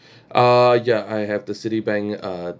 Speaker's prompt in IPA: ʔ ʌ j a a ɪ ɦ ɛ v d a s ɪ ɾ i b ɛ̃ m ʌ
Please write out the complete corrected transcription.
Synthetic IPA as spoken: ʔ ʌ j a a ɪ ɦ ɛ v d ə s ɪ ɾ i b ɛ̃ ŋ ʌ